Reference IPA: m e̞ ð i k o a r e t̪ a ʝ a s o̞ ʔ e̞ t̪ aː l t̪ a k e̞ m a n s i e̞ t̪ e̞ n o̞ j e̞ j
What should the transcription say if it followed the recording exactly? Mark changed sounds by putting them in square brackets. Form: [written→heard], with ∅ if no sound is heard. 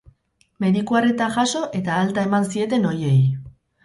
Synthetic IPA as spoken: m e̞ ð i k [o→u] a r e t̪ a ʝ a s o̞ ʔ e̞ t̪ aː l t̪ a [k→∅] e̞ m a n s i e̞ t̪ e̞ n o̞ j e̞ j

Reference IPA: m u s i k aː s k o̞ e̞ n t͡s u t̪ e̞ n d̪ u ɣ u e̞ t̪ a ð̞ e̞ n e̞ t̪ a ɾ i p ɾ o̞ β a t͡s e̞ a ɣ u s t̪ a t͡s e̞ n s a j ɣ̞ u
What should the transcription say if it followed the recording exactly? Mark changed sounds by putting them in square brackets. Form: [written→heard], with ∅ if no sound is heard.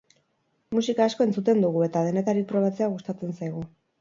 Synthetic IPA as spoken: m u s i k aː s k o̞ e̞ n t͡s u t̪ e̞ n d̪ u ɣ u e̞ t̪ a ð̞ e̞ n e̞ t̪ a ɾ i p ɾ o̞ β a t͡s e̞ a ɣ u s t̪ a t͡s e̞ n s a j ɣ̞ u

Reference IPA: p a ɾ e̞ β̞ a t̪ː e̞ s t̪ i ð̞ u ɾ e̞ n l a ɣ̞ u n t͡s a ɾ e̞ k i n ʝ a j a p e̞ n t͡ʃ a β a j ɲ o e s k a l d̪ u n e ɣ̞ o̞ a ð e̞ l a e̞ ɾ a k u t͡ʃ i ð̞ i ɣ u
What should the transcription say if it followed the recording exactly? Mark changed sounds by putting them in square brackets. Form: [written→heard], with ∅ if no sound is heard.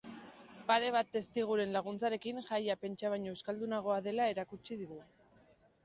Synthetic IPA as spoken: p a ɾ e̞ β̞ a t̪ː e̞ s t̪ i [ð̞→ɣ̞] u ɾ e̞ n l a ɣ̞ u n t͡s a ɾ e̞ k i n ʝ a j a p e̞ n t͡ʃ a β a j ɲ o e s k a l d̪ u n [e→a] ɣ̞ o̞ a ð e̞ l a e̞ ɾ a k u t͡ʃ i ð̞ i ɣ u

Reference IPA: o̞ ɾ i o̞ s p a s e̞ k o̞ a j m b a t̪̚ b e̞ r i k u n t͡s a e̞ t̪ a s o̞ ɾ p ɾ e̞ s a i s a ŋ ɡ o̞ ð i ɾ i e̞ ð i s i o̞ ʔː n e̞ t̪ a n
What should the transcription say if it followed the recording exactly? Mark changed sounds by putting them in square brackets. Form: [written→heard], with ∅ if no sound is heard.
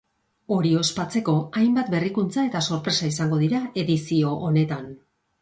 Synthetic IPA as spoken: o̞ ɾ i o̞ s p a [s→t͡s] e̞ k o̞ a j m b a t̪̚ b e̞ r i k u n t͡s a e̞ t̪ a s o̞ ɾ p ɾ e̞ s a i s a ŋ ɡ o̞ ð i ɾ [i→a] e̞ ð i s i o̞ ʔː n e̞ t̪ a n

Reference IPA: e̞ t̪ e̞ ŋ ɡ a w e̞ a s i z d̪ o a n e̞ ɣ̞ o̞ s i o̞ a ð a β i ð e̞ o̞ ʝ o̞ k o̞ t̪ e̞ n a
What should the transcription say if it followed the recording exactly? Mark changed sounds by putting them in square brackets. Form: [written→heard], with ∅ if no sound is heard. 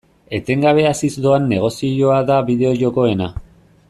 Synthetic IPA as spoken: e̞ t̪ e̞ ŋ ɡ a [w→β] e̞ a s i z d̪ o a [n→nː] e̞ ɣ̞ o̞ s i o̞ a ð a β i ð e̞ o̞ ʝ o̞ k o̞ [t̪→∅] e̞ n a

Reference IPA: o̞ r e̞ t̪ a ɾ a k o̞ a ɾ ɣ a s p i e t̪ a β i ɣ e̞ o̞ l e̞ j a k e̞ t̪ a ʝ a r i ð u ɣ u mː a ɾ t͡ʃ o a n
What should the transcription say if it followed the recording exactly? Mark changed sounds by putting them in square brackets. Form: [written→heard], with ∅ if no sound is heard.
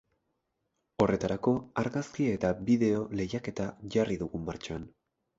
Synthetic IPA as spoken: o̞ r e̞ t̪ a ɾ a k o̞ a ɾ ɣ a s [p→k] i e t̪ a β i [ɣ→ð] e̞ o̞ l e̞ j a k e̞ t̪ a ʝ a r i ð u ɣ u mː a ɾ t͡ʃ o a n

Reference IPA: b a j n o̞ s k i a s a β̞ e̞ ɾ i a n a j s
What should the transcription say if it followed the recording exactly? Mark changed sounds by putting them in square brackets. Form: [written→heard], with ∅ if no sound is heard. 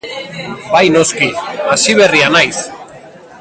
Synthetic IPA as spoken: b a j n o̞ s k i a s [a→i] β̞ e̞ [ɾ→r] i a n a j s

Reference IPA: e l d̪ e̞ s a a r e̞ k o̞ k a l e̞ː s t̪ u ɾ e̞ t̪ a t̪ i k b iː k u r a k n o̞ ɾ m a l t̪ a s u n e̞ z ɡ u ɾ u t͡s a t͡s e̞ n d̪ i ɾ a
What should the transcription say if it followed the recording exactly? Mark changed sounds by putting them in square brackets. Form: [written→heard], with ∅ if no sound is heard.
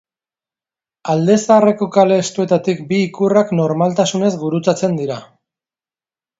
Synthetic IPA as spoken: [e→a] l d̪ e̞ s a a r e̞ k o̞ k a l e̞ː s t̪ u [ɾ→∅] e̞ t̪ a t̪ i k b iː k u r a k n o̞ ɾ m a l t̪ a s u n e̞ z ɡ u ɾ u t͡s a t͡s e̞ n d̪ i ɾ a

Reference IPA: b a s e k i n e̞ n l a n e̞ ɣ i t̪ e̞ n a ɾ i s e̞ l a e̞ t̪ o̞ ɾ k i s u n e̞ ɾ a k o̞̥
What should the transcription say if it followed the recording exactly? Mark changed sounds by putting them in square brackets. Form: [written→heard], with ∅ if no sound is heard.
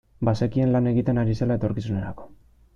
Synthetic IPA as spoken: b a s e k i [n→∅] e̞ n l a n e̞ ɣ i t̪ e̞ n a ɾ i s e̞ l a e̞ t̪ o̞ ɾ k i s u n e̞ ɾ a k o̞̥

